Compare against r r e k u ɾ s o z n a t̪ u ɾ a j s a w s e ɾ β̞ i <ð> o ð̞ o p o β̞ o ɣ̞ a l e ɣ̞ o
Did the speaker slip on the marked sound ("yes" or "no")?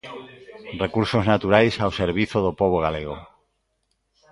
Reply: yes